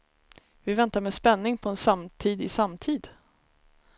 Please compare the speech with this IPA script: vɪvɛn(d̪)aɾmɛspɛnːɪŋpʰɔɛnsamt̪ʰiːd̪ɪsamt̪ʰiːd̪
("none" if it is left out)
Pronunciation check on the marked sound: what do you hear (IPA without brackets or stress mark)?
t̪